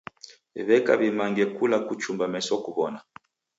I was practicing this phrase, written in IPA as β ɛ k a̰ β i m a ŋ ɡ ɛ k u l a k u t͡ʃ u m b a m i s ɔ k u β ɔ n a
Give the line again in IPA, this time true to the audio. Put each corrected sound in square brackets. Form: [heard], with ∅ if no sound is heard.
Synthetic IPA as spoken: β ɛ k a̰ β i m a ŋ ɡ ɛ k u l a k u t͡ʃ u m b a m [ɛ] s ɔ k u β ɔ n a

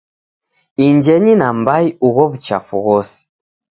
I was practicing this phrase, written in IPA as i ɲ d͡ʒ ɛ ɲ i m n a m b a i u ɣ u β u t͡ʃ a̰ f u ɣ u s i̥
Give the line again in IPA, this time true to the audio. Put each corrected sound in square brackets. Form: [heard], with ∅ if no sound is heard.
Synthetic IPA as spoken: i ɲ d͡ʒ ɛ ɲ i [∅] n a m b a i u ɣ [ɔ] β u t͡ʃ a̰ f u ɣ [ɔ] s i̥

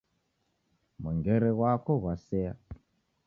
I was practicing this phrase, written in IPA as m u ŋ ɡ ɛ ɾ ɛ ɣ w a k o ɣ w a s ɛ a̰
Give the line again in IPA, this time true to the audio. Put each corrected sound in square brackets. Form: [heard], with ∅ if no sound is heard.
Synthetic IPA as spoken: m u ŋ ɡ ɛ ɾ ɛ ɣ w a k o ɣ w a s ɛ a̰

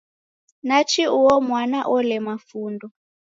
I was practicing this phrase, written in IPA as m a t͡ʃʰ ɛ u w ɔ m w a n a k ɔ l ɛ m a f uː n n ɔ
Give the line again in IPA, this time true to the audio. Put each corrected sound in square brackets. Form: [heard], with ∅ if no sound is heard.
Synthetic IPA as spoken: [n] a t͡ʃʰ [i] u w ɔ m w a n a [ʔ] ɔ l ɛ m a f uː n [d] ɔ

